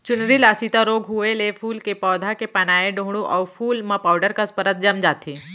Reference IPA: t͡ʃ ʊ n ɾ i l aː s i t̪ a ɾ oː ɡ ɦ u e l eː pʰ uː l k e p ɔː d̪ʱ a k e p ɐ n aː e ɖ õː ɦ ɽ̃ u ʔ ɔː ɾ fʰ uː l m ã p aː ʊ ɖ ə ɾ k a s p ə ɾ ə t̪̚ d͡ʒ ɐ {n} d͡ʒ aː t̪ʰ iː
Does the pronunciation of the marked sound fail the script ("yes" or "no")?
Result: yes